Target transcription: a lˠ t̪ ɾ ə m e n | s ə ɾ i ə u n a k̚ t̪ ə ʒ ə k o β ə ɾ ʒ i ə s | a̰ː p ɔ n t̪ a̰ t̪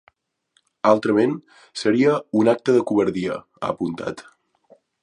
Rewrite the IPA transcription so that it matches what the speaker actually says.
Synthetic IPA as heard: a lˠ t̪ ɾ ə m e n | s ə ɾ i ə u n a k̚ t̪ ə ð ə k u β ə ɾ ð i ə | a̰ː p u n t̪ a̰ t̪